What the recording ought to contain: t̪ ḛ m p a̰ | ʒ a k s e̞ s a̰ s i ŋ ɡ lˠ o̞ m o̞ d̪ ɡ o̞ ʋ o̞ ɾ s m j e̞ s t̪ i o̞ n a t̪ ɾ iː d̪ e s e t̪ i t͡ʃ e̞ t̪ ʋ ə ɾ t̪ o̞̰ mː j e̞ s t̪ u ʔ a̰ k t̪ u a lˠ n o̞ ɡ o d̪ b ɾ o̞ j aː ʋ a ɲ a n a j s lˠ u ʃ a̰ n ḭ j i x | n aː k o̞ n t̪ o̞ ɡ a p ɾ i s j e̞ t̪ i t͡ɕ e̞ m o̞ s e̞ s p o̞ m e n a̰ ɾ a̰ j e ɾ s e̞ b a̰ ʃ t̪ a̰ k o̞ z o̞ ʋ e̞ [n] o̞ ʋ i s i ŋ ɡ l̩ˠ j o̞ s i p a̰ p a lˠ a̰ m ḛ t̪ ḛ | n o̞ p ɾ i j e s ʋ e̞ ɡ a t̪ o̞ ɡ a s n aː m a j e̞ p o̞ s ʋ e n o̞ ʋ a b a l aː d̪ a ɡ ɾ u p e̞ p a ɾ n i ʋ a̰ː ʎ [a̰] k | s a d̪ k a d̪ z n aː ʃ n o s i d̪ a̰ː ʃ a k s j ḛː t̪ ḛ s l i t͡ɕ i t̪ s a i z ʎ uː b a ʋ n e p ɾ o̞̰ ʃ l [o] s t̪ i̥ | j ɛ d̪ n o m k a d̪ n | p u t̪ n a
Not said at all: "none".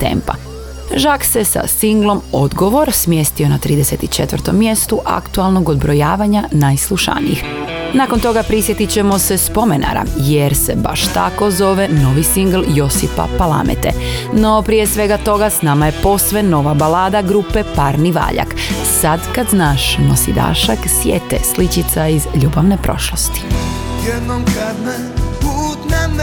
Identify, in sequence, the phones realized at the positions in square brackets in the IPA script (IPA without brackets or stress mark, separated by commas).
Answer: n, a̰, o